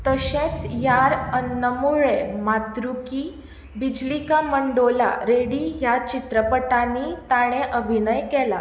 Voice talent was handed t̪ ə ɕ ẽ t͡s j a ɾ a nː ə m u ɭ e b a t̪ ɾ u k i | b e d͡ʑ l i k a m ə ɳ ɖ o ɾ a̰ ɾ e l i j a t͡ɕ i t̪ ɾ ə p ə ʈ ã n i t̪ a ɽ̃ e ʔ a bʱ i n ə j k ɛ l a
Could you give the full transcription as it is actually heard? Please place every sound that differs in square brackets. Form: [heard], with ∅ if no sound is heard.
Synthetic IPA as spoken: t̪ ə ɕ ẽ t͡s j a ɾ [ə] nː ə m u ɭ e [m] a t̪ ɾ u k i | b [i] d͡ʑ l i k a m ə ɳ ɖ o [l] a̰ ɾ e [ɽ] i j a t͡ɕ i t̪ ɾ ə p ə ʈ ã n i t̪ a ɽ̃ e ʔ [ə] bʱ i n ə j k ɛ l a